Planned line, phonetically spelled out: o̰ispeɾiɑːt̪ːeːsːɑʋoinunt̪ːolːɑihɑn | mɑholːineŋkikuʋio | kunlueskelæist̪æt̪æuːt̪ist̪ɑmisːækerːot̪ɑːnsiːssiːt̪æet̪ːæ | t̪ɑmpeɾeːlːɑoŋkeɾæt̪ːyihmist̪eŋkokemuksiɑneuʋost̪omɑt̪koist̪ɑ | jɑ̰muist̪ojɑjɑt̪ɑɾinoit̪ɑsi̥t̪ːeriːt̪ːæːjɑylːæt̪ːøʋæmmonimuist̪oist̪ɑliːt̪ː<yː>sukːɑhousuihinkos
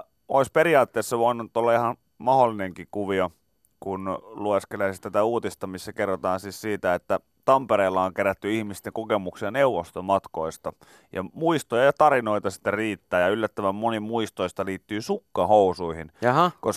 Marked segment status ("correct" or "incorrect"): correct